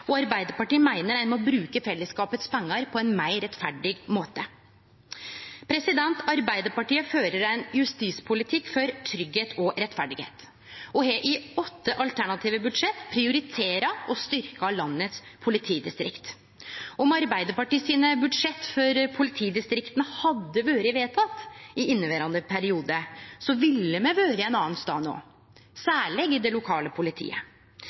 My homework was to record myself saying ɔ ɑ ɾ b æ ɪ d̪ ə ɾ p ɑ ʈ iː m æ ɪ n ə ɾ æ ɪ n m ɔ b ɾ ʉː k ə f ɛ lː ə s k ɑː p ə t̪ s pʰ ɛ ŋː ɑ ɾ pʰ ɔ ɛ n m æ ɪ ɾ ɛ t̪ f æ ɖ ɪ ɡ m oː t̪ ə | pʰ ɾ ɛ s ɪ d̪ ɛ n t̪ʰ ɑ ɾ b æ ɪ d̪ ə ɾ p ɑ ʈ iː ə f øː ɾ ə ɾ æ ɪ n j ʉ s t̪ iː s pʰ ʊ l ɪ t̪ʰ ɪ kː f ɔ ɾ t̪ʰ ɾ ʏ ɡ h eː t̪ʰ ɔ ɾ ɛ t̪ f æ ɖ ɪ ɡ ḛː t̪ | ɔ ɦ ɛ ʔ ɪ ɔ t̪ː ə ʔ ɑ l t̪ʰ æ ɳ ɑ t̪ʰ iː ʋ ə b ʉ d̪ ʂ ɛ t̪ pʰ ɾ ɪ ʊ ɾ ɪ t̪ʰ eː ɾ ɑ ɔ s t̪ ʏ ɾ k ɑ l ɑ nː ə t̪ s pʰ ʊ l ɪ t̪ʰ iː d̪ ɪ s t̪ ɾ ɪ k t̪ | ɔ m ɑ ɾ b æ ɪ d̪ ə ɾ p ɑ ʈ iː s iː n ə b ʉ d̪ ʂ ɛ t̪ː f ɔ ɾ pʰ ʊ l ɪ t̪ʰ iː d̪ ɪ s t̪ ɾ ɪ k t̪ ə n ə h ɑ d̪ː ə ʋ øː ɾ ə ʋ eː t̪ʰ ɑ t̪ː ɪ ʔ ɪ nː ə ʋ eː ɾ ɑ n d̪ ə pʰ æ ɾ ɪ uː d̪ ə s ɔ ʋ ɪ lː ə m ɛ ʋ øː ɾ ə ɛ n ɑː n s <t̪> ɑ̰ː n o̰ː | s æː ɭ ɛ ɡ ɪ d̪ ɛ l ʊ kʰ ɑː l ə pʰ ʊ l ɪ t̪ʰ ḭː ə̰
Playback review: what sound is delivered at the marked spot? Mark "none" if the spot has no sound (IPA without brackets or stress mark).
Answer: t̪